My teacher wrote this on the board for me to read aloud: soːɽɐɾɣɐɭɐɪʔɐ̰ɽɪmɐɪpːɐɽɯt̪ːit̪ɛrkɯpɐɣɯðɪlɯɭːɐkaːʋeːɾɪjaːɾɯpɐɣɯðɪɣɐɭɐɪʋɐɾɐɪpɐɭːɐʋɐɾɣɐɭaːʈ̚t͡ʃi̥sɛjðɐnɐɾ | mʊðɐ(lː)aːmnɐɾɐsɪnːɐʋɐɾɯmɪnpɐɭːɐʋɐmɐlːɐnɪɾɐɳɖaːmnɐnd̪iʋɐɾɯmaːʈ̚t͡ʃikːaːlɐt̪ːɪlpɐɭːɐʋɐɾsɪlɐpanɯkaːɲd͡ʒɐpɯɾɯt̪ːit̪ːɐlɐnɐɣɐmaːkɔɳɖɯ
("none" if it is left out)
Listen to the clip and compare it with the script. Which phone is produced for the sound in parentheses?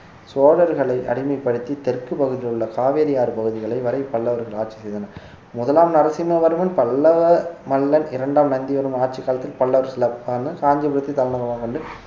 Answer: l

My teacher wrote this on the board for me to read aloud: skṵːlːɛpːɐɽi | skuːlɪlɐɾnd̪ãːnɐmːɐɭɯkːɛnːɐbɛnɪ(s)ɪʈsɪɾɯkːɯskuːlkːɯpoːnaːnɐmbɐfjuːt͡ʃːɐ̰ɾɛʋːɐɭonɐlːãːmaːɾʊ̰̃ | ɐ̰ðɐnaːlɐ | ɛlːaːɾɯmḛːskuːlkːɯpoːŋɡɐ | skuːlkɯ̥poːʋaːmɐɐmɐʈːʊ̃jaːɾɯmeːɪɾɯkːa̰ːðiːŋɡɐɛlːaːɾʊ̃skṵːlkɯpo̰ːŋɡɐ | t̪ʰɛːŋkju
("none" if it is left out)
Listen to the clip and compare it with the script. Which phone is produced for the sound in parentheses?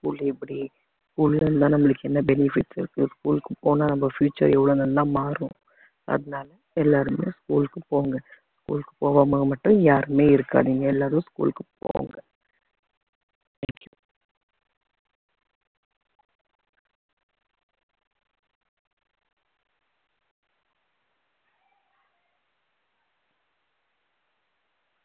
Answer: f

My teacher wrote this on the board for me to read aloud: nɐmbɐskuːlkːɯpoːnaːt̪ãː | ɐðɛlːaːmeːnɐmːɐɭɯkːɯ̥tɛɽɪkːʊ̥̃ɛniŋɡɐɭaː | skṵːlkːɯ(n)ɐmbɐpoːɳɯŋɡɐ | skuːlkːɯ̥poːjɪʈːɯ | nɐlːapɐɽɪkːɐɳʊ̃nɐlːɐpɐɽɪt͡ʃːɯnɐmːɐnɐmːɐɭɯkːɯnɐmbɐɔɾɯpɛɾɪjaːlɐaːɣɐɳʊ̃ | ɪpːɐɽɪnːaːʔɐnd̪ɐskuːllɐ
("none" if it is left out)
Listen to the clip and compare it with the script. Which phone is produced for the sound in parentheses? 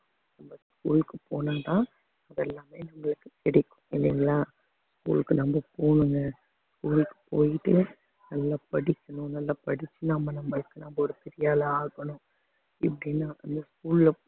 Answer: n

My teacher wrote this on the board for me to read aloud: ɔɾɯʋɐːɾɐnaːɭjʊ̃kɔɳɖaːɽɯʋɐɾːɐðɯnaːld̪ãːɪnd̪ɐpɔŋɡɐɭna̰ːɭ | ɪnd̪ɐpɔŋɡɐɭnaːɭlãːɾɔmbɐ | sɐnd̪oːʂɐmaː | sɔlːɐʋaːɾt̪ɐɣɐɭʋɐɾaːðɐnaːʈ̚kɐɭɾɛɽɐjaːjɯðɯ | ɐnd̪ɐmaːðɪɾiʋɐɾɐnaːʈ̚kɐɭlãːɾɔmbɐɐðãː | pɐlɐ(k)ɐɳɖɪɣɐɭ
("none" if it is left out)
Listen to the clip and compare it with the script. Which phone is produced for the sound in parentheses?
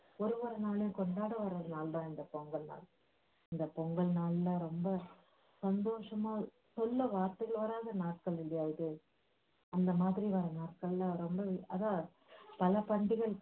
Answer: p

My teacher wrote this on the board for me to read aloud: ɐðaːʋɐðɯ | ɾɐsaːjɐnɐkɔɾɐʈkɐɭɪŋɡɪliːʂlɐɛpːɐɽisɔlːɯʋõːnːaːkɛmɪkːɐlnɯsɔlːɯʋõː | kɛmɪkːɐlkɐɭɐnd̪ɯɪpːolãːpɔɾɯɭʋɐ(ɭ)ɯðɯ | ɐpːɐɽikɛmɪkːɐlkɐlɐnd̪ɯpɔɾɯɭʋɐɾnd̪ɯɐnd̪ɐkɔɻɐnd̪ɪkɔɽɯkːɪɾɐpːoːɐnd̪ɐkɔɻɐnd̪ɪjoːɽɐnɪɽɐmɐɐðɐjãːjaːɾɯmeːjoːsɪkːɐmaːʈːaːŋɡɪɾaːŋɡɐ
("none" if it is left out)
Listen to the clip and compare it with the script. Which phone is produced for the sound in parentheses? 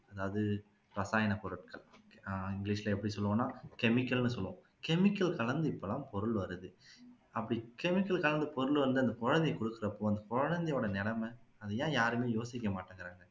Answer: ɾ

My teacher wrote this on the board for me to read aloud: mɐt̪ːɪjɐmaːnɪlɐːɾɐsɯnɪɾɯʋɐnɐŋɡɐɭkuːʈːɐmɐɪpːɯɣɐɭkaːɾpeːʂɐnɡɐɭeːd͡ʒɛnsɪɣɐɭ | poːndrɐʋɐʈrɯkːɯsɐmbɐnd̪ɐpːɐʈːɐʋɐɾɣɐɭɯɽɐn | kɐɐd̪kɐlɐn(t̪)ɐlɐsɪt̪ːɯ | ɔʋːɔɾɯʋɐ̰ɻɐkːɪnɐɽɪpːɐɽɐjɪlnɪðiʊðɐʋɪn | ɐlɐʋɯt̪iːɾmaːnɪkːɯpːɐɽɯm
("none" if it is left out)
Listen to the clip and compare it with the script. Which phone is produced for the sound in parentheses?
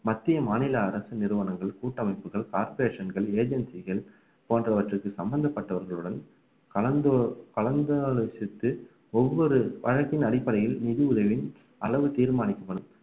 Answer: d̪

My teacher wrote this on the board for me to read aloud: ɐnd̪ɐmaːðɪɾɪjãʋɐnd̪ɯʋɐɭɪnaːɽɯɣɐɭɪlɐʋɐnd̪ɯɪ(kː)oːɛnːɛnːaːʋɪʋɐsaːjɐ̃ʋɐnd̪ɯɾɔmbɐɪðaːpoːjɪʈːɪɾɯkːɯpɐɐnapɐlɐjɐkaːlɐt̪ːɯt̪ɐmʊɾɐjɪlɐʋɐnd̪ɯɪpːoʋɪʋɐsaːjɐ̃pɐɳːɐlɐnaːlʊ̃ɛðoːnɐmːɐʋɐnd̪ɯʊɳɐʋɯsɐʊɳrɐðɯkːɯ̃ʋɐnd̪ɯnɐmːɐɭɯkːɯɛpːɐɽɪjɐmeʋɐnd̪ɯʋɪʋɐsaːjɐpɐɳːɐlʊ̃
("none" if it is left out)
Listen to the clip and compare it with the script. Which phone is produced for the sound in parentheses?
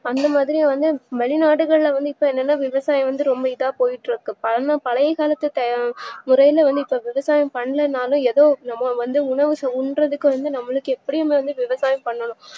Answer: pː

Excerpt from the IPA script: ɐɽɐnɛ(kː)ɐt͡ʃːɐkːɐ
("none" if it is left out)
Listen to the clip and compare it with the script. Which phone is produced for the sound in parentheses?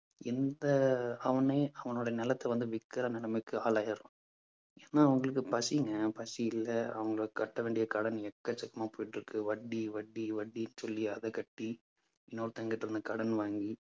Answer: kː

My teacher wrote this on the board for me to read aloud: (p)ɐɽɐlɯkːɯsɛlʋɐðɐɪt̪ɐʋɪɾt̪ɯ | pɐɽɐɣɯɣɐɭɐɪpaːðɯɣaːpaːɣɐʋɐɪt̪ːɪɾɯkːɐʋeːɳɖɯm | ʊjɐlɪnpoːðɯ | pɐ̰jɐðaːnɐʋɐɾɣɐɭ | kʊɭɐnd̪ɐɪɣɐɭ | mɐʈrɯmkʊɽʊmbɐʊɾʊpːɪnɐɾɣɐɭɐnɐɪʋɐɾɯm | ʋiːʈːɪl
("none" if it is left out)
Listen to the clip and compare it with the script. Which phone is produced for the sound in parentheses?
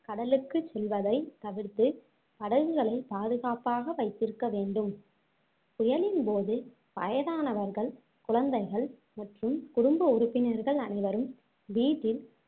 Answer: k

